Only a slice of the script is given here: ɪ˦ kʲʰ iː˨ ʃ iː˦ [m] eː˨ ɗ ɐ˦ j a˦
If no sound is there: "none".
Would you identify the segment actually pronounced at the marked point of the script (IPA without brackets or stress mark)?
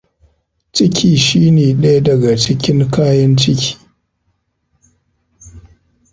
n